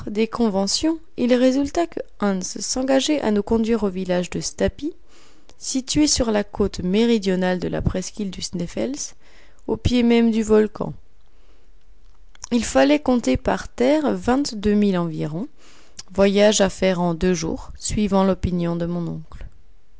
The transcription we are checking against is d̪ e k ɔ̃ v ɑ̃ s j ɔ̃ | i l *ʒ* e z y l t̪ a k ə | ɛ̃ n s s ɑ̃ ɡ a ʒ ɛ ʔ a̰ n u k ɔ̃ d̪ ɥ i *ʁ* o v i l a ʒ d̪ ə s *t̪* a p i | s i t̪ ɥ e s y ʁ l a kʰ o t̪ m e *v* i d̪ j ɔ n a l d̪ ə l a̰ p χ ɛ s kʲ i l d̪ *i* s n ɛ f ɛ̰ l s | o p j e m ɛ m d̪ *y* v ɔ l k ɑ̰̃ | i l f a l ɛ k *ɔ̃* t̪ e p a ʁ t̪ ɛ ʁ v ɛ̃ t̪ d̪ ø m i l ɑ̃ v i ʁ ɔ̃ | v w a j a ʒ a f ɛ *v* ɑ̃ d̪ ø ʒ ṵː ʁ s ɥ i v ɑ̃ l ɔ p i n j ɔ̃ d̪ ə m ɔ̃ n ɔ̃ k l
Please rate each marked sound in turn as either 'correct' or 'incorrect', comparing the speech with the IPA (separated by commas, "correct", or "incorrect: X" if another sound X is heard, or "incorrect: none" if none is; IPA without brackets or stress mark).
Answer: incorrect: ʁ, correct, correct, incorrect: ʁ, incorrect: y, correct, correct, incorrect: ʁ